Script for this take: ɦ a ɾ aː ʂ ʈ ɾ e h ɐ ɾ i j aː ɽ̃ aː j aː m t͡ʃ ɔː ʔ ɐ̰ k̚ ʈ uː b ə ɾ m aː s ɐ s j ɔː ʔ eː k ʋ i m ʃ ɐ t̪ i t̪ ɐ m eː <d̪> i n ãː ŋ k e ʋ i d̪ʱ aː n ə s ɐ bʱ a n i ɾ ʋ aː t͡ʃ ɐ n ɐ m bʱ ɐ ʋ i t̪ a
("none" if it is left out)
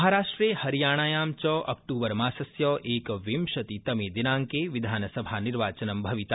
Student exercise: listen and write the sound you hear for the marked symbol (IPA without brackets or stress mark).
d̪